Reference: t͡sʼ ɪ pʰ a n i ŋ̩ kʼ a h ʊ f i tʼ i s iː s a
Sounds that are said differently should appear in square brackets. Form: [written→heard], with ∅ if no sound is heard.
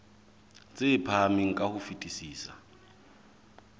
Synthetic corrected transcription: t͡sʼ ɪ pʰ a [n→m] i ŋ̩ kʼ a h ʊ f i tʼ i s iː s a